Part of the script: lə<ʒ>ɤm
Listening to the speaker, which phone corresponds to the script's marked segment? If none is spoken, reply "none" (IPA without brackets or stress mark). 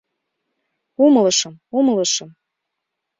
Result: ʃ